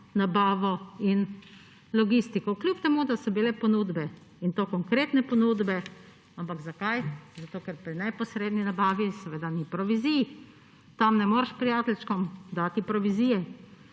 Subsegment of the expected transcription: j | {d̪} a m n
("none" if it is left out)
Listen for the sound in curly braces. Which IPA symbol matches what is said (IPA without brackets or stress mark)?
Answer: t̪